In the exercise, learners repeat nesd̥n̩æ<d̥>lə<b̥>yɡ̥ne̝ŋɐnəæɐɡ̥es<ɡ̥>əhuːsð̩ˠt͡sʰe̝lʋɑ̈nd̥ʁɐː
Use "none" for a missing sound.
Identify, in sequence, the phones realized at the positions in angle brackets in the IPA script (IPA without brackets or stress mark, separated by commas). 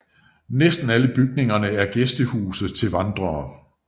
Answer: none, b̥, d̥